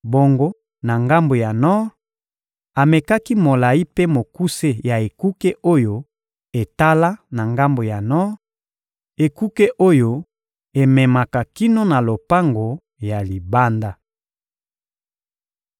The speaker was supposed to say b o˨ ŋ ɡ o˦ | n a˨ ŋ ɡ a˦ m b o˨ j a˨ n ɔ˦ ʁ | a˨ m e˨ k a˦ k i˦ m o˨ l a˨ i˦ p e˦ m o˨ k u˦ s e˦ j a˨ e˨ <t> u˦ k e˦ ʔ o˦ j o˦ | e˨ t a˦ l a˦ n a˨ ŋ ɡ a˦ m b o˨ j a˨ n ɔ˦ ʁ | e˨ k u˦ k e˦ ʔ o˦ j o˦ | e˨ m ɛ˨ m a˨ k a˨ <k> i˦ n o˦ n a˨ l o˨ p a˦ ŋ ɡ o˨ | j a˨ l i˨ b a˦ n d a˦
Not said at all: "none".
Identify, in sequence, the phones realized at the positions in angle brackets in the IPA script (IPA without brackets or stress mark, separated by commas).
k, k